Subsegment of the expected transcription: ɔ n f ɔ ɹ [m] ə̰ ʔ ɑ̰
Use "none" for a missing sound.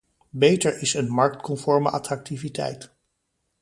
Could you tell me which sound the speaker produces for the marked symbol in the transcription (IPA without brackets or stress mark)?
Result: m